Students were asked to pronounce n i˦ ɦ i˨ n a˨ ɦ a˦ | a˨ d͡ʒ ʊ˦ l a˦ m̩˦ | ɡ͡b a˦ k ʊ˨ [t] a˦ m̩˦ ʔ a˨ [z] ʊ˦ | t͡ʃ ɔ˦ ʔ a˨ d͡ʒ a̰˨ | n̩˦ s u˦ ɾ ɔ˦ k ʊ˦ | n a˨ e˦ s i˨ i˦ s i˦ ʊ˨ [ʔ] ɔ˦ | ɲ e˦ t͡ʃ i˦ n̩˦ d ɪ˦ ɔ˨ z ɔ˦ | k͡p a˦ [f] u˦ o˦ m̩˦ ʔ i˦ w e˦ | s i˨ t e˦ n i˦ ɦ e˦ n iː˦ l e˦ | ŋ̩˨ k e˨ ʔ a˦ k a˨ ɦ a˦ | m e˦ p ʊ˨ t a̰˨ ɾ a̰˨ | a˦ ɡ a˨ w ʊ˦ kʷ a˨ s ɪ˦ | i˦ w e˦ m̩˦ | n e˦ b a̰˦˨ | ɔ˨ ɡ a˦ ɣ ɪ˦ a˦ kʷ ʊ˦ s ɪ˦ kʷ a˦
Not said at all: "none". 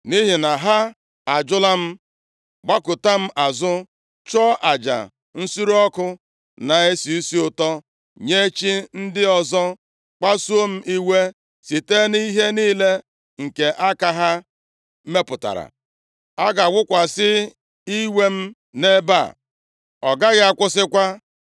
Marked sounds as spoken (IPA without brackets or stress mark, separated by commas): t, z, t, s